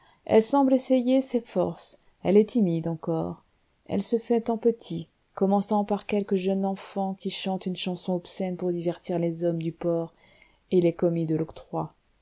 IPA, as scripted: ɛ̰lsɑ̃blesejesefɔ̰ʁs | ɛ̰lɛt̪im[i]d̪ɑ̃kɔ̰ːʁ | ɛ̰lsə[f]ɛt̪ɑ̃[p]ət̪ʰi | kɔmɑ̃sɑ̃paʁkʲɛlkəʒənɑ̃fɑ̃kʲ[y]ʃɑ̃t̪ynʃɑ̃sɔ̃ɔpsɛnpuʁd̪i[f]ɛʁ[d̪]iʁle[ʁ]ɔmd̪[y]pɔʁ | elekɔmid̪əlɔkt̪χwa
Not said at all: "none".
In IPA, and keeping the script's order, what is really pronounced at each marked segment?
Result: i, f, p, i, v, t̪, z, y

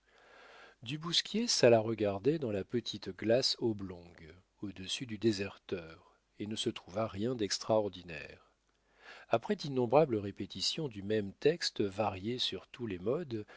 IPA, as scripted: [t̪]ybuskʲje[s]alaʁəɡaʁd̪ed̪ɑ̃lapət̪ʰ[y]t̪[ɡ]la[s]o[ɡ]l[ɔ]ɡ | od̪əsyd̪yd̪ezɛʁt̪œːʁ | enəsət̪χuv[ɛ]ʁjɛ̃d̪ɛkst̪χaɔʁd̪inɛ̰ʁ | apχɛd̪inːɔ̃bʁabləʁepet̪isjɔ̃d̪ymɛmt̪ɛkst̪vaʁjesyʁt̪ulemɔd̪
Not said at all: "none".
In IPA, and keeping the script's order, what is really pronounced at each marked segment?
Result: d̪, s, i, ɡ, s, b, ɔ̃, a

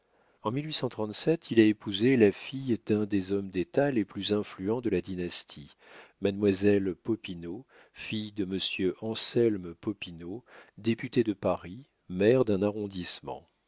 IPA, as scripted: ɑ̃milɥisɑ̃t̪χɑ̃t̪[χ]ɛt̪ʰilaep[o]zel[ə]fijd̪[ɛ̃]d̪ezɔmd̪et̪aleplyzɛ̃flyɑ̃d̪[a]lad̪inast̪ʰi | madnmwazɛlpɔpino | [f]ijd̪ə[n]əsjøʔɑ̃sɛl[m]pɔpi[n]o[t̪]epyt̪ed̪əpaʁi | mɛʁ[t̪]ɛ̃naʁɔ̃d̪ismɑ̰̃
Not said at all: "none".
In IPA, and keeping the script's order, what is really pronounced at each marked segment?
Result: s, u, a, ɛ̃, ə, f, m, m, n, d̪, d̪

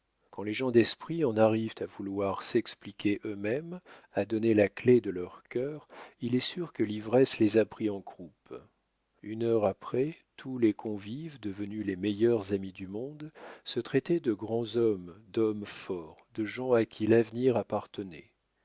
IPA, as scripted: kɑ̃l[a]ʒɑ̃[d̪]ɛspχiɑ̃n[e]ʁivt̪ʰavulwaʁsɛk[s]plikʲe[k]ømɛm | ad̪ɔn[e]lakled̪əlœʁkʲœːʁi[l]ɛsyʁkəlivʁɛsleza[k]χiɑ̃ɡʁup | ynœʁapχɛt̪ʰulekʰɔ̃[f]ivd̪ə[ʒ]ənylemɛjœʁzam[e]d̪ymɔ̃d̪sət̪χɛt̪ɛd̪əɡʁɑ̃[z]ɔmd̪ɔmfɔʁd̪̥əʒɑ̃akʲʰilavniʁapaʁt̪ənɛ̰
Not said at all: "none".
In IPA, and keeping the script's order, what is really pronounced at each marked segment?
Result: e, d̪, a, s, ʔ, e, l, p, v, v, i, z

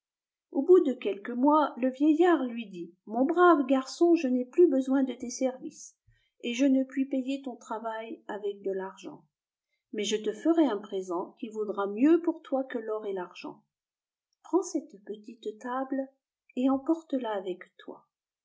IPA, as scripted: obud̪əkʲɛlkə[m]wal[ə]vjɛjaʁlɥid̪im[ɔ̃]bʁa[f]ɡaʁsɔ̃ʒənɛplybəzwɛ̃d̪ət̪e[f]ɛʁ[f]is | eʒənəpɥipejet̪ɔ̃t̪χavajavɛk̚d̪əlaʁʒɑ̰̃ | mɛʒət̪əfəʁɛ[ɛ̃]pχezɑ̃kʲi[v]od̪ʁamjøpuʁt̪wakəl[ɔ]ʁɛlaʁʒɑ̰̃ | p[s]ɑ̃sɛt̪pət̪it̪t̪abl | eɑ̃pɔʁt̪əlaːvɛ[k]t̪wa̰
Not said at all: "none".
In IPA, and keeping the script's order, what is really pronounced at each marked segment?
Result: m, ə, ɔ̃, v, s, v, ɛ̃, v, ɔ, χ, k

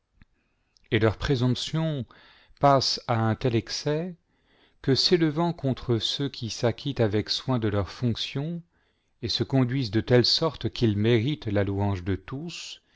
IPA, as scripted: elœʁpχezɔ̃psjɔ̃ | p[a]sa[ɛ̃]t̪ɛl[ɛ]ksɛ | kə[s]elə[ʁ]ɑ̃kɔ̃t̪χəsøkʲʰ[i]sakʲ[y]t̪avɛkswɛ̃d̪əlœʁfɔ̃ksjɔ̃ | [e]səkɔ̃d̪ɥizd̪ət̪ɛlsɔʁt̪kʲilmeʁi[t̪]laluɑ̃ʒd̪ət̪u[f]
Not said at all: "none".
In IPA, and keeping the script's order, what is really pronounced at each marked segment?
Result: a, ɛ̃, ɛ, s, v, i, i, e, t̪, s

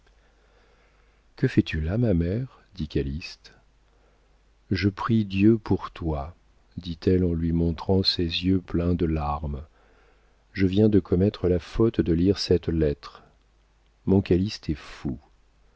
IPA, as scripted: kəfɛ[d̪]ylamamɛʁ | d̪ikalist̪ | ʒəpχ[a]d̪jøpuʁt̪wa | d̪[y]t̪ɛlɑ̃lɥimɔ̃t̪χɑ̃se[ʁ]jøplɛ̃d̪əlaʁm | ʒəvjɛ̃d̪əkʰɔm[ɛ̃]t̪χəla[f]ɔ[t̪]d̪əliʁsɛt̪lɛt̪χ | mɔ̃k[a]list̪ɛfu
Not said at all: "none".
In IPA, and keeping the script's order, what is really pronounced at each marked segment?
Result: t̪, i, i, z, ɛ, f, t̪, a

